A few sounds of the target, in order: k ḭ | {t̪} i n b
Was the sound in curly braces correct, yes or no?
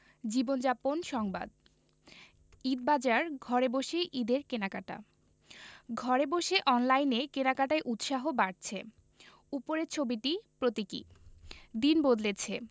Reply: no